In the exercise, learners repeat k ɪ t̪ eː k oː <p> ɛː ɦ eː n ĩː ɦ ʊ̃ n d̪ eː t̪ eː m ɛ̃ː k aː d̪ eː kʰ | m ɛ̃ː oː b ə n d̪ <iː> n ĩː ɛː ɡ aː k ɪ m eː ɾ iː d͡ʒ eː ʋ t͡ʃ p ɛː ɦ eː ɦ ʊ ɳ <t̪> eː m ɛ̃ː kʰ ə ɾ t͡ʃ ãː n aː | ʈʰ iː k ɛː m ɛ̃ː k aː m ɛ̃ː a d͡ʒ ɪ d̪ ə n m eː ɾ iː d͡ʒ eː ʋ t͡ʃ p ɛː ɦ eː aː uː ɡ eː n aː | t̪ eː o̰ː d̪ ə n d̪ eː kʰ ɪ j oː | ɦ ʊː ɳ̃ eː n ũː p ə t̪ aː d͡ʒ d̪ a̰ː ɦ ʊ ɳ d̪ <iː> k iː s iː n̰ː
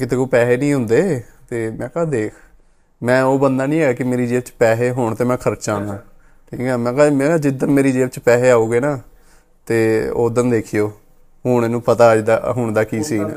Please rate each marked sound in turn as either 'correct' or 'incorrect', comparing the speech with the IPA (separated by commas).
correct, incorrect, correct, incorrect